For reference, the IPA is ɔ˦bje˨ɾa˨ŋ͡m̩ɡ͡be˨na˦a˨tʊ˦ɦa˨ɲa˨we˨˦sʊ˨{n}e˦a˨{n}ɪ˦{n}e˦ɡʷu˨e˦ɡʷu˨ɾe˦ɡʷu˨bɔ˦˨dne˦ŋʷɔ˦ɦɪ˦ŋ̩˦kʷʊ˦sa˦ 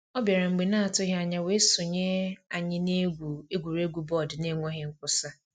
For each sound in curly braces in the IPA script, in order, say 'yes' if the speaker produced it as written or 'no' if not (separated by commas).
no, no, yes